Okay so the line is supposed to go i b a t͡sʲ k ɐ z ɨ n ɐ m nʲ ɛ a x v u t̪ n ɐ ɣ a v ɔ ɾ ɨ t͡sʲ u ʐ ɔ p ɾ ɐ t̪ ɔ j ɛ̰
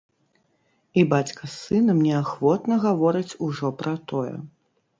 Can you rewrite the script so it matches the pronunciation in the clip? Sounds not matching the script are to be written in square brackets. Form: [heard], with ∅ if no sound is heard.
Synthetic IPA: i b a t͡sʲ k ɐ [s] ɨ n ɐ m nʲ ɛ a x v [ɔ] t̪ n ɐ ɣ a v ɔ ɾ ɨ t͡sʲ u ʐ ɔ p ɾ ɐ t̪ ɔ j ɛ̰